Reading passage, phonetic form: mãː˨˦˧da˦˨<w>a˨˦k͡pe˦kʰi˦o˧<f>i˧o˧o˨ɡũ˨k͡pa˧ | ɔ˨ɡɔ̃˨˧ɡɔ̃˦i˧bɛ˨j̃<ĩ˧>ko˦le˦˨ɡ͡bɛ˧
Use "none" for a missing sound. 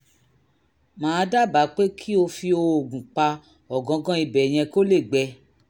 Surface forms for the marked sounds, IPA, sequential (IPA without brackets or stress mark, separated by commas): b, f, ɛ̃˧